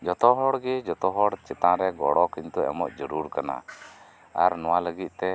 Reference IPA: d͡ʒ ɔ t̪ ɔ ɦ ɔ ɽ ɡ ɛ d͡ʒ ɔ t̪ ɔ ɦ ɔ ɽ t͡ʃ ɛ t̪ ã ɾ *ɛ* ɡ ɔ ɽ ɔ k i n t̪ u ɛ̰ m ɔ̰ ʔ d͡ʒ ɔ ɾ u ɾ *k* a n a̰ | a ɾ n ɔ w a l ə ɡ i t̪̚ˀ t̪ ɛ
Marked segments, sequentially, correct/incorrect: correct, correct

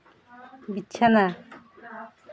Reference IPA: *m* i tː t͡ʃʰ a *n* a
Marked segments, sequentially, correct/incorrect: incorrect, correct

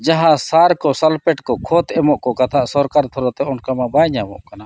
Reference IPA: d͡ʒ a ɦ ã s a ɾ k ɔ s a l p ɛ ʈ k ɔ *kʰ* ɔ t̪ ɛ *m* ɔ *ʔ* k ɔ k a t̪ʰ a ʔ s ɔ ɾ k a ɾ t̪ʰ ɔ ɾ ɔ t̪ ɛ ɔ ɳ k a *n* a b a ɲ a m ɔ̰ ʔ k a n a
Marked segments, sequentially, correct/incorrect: correct, correct, correct, incorrect

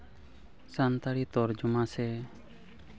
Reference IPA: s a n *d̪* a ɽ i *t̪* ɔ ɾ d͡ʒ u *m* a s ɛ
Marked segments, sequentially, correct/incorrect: incorrect, correct, correct

